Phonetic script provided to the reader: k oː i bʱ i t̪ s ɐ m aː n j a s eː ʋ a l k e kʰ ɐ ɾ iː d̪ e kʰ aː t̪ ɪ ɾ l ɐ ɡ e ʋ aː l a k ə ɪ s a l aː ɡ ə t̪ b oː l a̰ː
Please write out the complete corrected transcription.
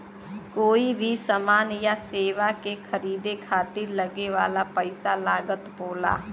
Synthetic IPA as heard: k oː i bʱ i s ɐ m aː n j a s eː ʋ a k e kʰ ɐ ɾ iː d̪ e kʰ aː t̪ ɪ ɾ l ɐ ɡ e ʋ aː l a p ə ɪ s a l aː ɡ ə t̪ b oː l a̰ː